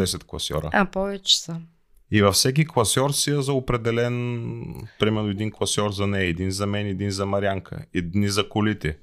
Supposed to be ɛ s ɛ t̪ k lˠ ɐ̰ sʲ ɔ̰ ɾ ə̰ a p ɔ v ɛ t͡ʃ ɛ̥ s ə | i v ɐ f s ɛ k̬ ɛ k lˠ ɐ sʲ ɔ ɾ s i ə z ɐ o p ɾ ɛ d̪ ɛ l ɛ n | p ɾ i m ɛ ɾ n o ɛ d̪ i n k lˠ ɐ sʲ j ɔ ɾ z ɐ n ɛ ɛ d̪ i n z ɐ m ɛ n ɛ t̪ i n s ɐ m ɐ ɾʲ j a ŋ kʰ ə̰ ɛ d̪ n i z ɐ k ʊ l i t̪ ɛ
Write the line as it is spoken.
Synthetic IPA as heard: ɛ s ɛ t̪ k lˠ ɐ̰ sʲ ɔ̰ ɾ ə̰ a p ɔ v ɛ t͡ʃ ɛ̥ s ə | i v ɐ f s ɛ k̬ i k lˠ ɐ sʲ ɔ ɾ s i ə z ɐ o p ɾ ɛ d̪ ɛ l ɛ n | p ɾ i m ɛ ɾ n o ɛ d̪ i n k lˠ ɐ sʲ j ɔ ɾ z ɐ n ɛ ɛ d̪ i n z ɐ m ɛ n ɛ d̪ i n z ɐ m ɐ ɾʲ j a ŋ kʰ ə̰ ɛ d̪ n i z ɐ k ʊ l i t̪ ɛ